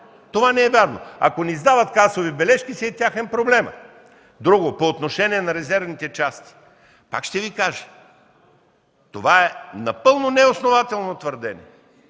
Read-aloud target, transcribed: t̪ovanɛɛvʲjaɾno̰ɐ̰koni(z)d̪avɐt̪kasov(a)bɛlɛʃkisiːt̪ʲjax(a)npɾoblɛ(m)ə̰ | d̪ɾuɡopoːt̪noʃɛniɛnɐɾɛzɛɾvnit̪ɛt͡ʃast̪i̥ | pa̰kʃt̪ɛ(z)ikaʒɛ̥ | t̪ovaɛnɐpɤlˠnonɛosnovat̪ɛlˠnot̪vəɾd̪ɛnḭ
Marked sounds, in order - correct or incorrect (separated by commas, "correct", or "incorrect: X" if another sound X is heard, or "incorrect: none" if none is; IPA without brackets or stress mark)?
correct, incorrect: i, incorrect: ɛ, correct, incorrect: v